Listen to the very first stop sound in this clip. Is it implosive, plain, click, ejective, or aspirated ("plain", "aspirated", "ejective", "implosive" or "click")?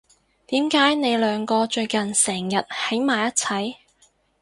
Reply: plain